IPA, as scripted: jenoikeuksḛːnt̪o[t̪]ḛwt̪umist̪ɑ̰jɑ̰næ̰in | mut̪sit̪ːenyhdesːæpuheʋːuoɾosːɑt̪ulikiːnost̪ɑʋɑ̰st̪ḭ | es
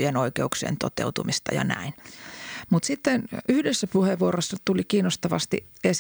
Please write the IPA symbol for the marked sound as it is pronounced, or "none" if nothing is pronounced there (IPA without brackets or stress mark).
t̪